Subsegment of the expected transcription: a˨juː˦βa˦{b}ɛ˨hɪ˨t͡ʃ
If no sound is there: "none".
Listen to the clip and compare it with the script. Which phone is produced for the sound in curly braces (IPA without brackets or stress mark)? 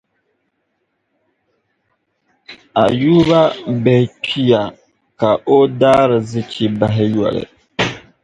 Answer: b